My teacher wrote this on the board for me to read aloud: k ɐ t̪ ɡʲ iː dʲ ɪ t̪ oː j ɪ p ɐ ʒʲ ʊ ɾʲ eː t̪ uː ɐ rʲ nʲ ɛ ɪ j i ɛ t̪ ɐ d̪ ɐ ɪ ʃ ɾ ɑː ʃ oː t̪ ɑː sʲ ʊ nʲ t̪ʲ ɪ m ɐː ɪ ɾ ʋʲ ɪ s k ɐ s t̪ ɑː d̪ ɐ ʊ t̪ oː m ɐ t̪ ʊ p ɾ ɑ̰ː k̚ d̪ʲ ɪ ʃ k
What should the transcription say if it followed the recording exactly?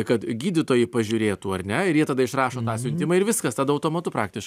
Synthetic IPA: k ɐ t̪ ɡʲ iː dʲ ɪ t̪ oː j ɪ p ɐ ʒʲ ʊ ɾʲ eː t̪ uː ɐ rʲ nʲ ɛ ɪ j i ɛ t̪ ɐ d̪ ɐ ɪ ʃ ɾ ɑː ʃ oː t̪ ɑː sʲ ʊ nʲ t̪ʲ ɪ m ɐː ɪ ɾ ʋʲ ɪ s k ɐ s t̪ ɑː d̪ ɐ ʊ t̪ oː m ɐ t̪ ʊ p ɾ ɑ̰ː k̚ t̪ʲ ɪ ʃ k